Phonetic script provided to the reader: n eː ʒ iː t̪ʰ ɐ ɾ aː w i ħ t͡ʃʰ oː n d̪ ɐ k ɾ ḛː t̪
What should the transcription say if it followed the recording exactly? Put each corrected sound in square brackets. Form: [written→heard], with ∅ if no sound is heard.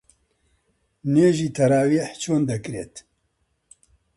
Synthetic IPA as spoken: n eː ʒ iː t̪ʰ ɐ ɾ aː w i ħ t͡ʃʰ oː n d̪ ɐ k ɾ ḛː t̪

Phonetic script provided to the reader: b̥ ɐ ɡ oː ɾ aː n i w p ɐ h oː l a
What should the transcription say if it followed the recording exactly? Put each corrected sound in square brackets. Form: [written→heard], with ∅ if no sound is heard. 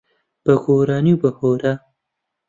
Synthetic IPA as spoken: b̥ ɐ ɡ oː ɾ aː n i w [p→b] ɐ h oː [l→ɾ] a

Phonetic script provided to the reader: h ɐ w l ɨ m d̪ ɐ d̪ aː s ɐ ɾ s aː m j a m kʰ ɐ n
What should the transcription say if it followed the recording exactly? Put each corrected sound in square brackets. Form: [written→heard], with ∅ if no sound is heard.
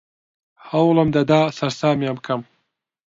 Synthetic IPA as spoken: h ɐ w l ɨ m d̪ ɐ d̪ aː s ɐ ɾ s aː m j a m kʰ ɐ [n→m]

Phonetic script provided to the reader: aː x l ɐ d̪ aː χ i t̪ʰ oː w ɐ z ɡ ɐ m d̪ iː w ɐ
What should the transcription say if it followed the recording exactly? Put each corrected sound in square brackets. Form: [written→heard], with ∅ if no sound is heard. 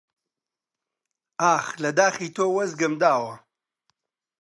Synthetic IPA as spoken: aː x l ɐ d̪ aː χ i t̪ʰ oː w ɐ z ɡ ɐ m d̪ [iː→aː] w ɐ

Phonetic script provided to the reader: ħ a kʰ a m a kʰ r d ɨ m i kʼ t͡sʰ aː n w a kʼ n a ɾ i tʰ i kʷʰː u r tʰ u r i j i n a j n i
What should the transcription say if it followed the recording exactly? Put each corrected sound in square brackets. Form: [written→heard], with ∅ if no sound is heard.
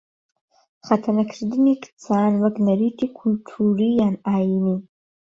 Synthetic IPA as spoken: [ħ→χ] a [kʰ→tʰ] a [m→n] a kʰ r d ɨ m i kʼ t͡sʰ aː n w a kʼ n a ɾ i tʰ i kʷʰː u [r→l] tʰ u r i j [i→a] n a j n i

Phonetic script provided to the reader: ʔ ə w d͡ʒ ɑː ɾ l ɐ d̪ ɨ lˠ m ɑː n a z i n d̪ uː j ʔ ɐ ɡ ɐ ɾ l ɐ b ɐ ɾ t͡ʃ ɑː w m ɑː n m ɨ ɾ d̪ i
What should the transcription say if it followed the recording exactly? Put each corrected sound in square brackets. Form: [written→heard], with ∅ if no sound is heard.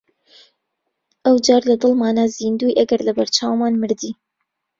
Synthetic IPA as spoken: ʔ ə w d͡ʒ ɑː ɾ l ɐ d̪ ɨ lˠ m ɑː n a z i n d̪ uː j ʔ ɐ ɡ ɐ ɾ l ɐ b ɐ ɾ t͡ʃ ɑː w m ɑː n m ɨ ɾ d̪ i

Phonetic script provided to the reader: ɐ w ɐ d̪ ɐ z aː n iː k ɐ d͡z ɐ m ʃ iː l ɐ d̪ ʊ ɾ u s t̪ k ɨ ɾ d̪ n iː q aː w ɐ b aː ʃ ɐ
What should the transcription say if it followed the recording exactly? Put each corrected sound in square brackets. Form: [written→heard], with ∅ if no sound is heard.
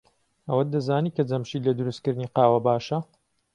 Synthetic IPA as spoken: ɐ w ɐ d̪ ɐ z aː n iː k ɐ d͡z ɐ m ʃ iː l ɐ d̪ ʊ ɾ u s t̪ k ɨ ɾ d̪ n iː q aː w ɐ b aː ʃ ɐ

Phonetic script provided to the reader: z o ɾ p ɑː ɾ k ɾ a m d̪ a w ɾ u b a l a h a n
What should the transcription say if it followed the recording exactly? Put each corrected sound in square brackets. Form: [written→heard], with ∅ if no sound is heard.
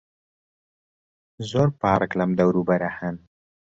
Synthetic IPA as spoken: z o ɾ p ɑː ɾ k [ɾ→l] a m d̪ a w ɾ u b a [l→ɾ] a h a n

